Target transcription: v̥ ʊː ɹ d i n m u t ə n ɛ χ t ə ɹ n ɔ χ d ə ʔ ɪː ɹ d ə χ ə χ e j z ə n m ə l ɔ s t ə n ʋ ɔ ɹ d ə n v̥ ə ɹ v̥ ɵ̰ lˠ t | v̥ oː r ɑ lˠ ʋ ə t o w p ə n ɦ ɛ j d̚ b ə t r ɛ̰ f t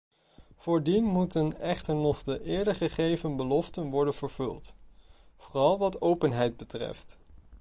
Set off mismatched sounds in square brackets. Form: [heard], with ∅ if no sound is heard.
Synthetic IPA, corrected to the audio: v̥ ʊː ɹ d i n m u t ə n ɛ χ t ə ɹ n ɔ χ d ə ʔ ɪː ɹ d ə χ ə χ e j [v] ə n [b] ə l ɔ [f] t ə n ʋ ɔ ɹ d ə n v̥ ə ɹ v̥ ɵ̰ lˠ t | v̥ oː r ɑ lˠ ʋ [ɑ] t o w p ə n ɦ ɛ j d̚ b ə t r ɛ̰ f t